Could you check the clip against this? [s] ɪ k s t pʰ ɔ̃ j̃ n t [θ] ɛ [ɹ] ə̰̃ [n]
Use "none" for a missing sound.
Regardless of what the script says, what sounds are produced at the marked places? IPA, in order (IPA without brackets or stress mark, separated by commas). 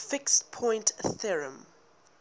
f, θ, ɹ, m